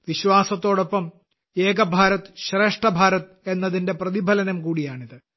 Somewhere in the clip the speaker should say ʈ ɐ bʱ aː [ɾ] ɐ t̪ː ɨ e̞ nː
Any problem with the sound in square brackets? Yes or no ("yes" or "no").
no